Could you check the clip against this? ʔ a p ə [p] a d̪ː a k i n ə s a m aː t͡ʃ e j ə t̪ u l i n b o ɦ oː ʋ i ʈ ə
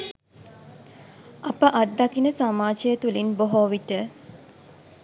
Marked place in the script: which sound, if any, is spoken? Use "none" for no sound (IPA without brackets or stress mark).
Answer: ʔ